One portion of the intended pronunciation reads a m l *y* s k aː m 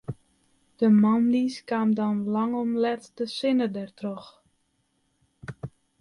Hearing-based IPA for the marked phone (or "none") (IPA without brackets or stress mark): i